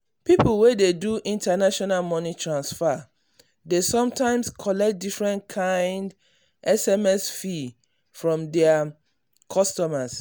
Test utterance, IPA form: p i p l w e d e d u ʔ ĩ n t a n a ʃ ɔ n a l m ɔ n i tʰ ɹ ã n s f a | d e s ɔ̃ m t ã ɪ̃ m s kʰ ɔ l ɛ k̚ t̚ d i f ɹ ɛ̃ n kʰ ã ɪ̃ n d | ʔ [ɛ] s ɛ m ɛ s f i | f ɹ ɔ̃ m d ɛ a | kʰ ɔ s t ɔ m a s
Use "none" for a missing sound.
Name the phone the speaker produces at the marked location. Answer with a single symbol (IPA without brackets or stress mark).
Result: ɛ